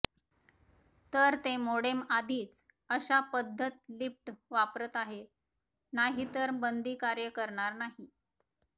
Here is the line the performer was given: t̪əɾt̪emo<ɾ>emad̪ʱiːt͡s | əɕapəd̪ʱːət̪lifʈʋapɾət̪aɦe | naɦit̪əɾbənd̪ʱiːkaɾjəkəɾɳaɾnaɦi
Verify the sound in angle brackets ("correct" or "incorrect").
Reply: incorrect